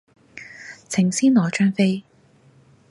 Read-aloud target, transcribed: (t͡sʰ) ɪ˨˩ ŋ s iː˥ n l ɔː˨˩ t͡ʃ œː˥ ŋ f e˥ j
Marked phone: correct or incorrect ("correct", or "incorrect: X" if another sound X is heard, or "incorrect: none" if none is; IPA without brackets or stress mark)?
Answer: correct